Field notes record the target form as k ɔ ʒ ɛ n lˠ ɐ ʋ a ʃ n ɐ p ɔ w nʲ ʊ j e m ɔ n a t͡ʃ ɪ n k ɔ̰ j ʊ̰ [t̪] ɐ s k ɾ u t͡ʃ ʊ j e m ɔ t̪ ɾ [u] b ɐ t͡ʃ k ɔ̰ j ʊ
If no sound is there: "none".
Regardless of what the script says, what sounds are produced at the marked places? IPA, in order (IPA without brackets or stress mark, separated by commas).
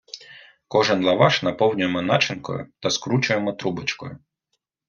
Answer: t̪, u